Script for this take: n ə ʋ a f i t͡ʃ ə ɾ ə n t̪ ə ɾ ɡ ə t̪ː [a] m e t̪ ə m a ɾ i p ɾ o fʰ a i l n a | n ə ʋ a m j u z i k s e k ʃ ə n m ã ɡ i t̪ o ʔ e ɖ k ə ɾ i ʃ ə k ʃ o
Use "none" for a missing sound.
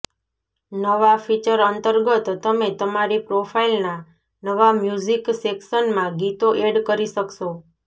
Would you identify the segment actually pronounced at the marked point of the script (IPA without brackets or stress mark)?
ə